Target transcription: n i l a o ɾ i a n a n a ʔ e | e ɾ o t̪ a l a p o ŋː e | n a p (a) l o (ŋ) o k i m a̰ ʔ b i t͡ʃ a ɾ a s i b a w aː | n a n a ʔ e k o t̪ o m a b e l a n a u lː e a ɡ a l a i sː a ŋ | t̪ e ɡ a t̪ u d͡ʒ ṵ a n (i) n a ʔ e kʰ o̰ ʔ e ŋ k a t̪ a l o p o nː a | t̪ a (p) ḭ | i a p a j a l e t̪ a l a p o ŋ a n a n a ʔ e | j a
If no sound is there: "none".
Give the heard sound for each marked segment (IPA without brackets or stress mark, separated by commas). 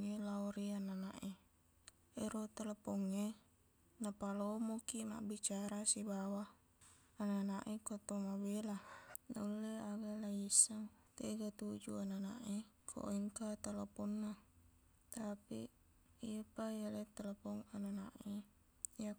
a, m, a, p